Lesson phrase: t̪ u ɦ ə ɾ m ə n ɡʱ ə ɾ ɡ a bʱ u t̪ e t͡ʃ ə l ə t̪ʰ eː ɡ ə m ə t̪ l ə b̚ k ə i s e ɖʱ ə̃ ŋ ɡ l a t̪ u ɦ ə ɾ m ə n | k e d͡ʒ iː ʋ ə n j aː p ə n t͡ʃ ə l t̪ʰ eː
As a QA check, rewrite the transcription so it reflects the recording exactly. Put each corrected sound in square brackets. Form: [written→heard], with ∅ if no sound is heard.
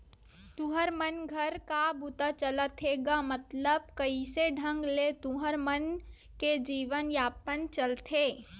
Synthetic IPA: t̪ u ɦ ə ɾ m ə n ɡʱ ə ɾ [ɡ→k] a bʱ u t̪ [e→a] t͡ʃ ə l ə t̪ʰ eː ɡ [ə→a] m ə t̪ l ə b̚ k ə i s e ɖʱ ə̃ ŋ ɡ l [a→e] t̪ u ɦ ə ɾ m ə n | k e d͡ʒ iː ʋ ə n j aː p ə n t͡ʃ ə l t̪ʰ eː